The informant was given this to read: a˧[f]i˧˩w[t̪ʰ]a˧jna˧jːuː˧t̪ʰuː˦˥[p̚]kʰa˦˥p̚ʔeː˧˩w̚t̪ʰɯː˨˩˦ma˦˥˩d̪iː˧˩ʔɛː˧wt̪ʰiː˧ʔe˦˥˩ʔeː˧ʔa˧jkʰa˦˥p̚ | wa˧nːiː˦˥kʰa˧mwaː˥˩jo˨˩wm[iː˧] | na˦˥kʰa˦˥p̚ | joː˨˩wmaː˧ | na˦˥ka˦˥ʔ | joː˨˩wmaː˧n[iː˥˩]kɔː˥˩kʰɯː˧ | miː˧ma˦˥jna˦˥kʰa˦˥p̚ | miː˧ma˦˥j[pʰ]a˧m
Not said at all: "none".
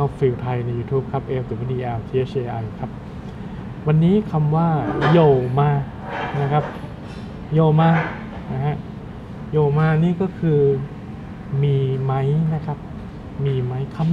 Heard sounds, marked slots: f, t̪ʰ, p̚, aː˧, iː˥˩, kʰ

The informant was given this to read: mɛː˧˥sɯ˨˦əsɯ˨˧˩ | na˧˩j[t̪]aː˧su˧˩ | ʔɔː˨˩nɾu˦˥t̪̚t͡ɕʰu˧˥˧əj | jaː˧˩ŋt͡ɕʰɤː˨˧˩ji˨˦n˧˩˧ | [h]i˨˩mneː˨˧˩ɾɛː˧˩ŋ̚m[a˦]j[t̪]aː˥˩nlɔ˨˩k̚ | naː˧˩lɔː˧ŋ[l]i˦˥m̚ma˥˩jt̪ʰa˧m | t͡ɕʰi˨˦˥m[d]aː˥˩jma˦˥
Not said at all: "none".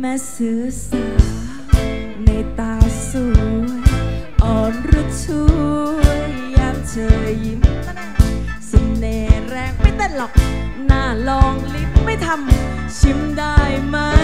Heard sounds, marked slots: t̪, s, a˥˩, t̪, l, d

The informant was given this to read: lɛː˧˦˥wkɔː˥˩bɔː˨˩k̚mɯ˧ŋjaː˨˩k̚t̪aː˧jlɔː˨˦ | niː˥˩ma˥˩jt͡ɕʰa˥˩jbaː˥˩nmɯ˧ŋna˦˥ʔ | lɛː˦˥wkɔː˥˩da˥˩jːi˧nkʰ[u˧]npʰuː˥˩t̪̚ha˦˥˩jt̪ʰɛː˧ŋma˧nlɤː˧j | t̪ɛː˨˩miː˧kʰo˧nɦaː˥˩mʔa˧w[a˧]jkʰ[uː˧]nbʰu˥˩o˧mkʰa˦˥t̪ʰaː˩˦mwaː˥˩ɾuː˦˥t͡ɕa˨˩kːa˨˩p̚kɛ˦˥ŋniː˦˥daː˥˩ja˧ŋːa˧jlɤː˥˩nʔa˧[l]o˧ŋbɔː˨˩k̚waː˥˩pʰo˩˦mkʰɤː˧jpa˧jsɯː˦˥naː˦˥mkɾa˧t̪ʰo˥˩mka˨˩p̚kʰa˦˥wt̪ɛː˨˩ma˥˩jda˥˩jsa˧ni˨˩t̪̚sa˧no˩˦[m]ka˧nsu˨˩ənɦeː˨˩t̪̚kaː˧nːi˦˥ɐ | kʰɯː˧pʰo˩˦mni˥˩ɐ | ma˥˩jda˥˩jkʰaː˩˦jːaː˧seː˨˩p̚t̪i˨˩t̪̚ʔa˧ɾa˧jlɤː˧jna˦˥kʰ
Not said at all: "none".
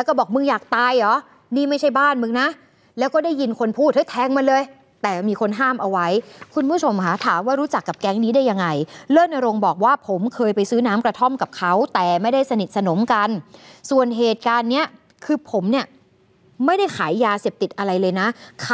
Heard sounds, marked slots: o˧, a˦˥, u˧, ɾ, m

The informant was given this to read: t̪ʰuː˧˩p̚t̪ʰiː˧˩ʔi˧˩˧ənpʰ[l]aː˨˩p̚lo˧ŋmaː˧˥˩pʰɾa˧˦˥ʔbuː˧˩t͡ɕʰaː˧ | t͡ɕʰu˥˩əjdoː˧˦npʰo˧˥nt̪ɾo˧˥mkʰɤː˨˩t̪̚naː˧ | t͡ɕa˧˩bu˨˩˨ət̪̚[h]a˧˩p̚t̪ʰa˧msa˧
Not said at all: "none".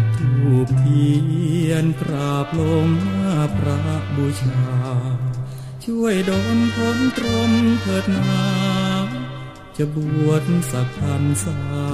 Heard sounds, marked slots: ɾ, s

